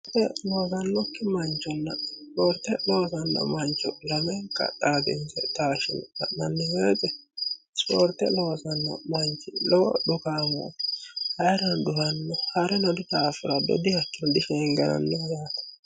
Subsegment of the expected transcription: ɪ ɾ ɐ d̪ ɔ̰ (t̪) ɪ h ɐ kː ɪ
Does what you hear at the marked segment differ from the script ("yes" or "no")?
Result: yes